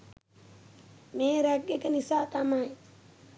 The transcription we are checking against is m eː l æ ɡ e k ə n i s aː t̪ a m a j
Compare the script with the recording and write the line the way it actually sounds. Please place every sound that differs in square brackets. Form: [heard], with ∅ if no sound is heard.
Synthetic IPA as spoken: m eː [ɾ] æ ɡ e k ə n i s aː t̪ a m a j